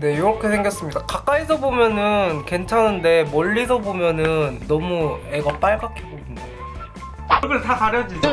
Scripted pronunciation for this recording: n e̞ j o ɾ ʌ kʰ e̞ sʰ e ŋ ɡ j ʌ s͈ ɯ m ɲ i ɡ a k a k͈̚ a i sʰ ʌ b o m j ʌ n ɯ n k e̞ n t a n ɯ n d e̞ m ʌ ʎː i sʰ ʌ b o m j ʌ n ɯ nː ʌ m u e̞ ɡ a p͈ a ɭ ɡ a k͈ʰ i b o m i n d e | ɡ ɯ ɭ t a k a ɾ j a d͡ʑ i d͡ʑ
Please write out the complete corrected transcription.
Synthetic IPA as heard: n e̞ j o ɾ ʌ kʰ e̞ sʰ e ŋ ɡ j ʌ s͈ ɯ m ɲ i d a k a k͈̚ a i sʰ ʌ b o m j ʌ n ɯ n k e̞ n t͡ɕʰ a n ɯ n d e̞ m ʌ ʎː i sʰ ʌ b o m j ʌ n ɯ nː ʌ m u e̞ ɡ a p͈ a ɭ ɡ a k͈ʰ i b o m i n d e | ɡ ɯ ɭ t a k a ɾ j ʌ d͡ʑ i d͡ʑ